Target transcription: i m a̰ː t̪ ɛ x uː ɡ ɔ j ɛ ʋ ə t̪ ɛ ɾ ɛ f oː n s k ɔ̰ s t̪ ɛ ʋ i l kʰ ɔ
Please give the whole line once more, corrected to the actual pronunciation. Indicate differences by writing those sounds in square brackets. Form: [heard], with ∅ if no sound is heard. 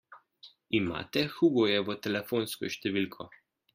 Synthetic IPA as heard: i m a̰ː t̪ ɛ x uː ɡ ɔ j ɛ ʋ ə t̪ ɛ [l] ɛ f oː n s k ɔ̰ [ʃ] t̪ ɛ ʋ i l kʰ ɔ